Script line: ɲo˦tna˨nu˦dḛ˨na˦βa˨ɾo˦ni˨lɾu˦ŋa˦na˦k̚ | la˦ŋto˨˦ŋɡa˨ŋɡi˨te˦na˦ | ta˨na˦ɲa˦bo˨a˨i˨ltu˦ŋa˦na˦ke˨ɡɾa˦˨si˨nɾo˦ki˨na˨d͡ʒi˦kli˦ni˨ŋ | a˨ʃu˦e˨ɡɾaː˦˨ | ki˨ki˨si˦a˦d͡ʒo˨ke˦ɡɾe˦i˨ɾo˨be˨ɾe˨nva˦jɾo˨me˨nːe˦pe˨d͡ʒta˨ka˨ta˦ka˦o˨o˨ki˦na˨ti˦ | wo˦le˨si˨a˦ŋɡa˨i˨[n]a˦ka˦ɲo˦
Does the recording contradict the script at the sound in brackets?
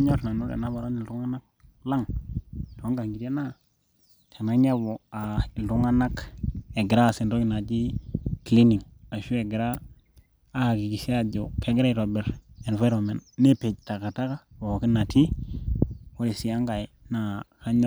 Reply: no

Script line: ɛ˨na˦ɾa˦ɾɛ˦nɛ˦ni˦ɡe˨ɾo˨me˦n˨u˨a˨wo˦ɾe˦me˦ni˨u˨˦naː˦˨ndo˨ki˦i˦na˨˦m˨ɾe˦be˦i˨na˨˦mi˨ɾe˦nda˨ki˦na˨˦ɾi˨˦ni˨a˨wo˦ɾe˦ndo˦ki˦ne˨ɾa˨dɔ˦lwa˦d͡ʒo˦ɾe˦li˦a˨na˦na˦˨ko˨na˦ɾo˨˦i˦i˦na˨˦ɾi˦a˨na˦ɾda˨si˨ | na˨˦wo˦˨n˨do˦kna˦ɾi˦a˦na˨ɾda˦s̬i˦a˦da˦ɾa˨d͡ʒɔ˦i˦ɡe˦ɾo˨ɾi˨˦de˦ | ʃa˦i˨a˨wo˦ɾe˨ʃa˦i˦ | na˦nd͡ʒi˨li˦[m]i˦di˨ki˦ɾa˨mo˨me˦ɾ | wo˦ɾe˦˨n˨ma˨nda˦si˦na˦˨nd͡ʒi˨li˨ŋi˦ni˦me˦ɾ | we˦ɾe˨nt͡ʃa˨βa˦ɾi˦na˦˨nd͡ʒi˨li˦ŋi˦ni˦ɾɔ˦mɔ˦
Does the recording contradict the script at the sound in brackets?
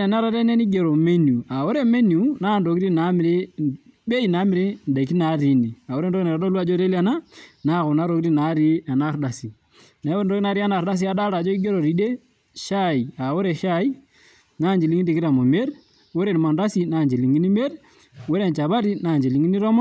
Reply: yes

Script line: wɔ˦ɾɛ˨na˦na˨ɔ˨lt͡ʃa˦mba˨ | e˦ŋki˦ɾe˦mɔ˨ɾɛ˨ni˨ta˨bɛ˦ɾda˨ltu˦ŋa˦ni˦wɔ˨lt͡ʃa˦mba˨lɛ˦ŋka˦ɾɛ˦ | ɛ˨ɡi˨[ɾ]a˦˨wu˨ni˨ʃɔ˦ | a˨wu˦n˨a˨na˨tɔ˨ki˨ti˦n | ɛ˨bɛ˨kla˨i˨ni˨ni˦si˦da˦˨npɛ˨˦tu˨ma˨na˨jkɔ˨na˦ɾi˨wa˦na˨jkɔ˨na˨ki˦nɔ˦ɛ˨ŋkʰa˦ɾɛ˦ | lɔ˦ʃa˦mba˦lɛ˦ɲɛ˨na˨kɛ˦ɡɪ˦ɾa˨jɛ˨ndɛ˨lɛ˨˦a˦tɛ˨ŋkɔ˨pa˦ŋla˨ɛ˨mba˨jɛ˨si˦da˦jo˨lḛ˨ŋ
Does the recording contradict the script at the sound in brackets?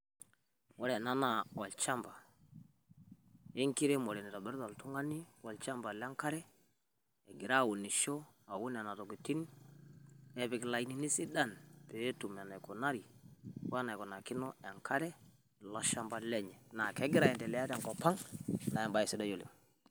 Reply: no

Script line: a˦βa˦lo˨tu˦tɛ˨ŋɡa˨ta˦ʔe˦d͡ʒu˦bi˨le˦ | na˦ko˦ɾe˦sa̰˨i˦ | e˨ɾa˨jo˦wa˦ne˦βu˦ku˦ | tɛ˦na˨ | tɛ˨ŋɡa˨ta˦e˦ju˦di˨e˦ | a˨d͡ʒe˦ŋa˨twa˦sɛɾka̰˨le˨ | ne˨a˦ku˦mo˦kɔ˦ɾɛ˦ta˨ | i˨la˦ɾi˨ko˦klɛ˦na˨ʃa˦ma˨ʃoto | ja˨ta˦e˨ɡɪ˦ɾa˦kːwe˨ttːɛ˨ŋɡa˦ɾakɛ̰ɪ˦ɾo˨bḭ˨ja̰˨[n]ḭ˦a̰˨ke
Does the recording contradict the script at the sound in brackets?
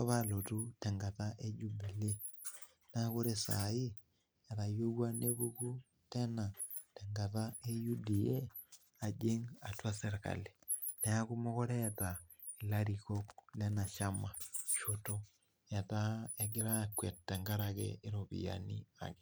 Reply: no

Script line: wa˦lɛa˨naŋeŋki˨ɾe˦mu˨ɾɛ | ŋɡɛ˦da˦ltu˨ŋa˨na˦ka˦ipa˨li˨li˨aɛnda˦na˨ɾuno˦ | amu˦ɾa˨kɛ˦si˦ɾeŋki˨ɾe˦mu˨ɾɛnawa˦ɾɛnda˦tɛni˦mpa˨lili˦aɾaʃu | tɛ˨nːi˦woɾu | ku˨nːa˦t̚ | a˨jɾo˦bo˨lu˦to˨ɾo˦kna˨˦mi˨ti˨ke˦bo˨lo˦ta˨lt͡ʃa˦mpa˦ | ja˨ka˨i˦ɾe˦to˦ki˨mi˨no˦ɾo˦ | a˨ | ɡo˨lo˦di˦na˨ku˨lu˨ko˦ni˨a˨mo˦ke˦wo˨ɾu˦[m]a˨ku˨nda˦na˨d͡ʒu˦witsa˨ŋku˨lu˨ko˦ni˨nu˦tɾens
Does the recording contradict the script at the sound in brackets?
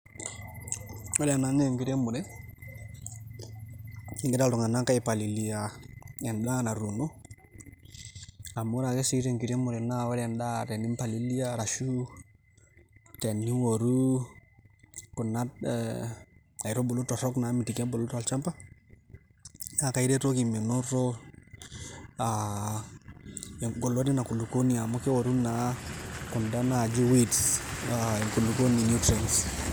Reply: yes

